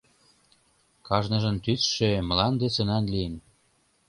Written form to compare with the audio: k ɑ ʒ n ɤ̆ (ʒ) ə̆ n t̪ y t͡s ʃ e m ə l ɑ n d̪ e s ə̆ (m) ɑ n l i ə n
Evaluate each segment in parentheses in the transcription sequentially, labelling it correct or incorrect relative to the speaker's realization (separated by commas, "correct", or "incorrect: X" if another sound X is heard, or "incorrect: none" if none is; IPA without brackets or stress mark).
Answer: correct, incorrect: n